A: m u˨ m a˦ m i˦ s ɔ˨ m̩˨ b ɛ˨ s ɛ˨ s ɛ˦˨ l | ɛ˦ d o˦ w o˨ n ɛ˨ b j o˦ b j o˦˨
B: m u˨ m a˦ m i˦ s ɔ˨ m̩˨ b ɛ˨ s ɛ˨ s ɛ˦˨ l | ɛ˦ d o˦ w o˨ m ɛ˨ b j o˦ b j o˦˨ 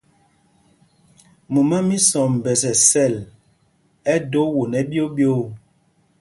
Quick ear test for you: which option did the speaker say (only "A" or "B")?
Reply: A